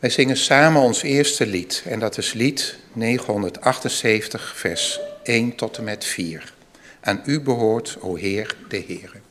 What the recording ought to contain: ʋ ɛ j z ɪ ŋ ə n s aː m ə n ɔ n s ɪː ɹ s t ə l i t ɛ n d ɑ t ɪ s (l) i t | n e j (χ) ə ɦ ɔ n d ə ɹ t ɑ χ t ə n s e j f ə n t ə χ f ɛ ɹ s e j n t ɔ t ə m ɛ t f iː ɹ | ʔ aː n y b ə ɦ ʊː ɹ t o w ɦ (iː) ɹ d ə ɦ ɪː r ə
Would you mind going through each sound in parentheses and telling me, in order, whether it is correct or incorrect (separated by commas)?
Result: correct, correct, incorrect